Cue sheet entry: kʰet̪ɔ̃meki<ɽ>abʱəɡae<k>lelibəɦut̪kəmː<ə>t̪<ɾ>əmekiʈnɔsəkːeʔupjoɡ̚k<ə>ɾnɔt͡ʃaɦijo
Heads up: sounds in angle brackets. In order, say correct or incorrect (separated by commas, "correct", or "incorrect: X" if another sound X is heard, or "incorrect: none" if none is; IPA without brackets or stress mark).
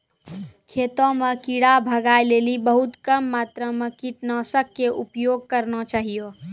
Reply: correct, incorrect: none, incorrect: a, correct, correct